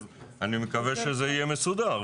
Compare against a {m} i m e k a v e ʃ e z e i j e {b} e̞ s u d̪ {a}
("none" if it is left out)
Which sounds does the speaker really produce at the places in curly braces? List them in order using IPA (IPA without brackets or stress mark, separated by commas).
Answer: n, m, a